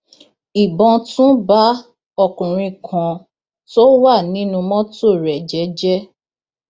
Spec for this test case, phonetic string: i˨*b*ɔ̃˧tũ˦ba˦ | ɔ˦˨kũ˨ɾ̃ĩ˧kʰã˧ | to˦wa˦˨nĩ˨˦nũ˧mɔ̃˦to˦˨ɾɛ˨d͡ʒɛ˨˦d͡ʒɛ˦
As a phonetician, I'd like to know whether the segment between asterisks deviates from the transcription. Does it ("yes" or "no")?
no